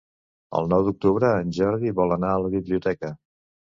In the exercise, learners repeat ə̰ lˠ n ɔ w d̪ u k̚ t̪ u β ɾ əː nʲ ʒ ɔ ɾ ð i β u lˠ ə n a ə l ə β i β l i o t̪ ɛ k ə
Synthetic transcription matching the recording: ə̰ lˠ n ɔ w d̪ u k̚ t̪ u β ɾ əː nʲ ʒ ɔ ɾ ð i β ɔ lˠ ə n a ə l ə β i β l i u t̪ ɛ k ə

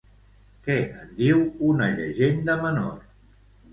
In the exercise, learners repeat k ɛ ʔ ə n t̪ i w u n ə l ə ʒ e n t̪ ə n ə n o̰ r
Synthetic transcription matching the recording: k ɛ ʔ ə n d̪ i w u n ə ʎ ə ʒ e n d̪ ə m ə n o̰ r

